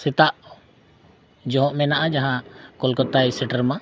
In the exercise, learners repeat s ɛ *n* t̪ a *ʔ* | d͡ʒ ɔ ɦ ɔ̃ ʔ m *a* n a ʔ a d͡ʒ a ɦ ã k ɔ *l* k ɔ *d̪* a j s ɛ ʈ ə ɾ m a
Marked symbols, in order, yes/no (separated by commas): no, yes, no, yes, no